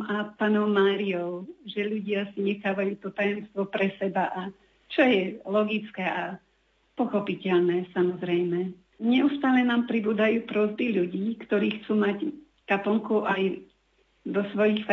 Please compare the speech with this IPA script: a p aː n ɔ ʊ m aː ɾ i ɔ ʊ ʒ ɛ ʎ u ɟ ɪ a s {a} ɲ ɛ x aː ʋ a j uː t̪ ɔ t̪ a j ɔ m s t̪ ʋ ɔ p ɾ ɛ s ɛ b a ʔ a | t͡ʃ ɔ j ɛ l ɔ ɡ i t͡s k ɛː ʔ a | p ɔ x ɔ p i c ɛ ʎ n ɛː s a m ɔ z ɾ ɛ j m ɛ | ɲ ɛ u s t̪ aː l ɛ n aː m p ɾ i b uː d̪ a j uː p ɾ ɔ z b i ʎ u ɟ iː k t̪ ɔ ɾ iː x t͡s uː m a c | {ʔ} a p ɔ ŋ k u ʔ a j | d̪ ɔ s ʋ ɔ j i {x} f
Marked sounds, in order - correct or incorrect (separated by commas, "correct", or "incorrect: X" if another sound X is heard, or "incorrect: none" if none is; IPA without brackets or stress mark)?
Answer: incorrect: i, incorrect: k, correct